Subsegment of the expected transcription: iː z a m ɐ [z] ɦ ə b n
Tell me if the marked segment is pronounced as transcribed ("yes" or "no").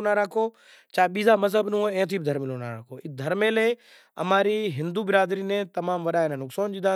yes